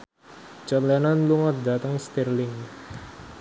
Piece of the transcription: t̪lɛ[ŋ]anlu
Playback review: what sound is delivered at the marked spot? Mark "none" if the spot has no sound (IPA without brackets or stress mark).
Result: n